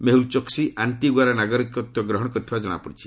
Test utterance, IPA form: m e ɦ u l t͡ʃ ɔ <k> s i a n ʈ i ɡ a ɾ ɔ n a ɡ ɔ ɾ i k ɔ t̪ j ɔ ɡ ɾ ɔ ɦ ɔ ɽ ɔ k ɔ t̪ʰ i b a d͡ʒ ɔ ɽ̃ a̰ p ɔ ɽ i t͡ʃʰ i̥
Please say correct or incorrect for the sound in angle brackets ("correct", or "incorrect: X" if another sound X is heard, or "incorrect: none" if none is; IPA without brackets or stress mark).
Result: correct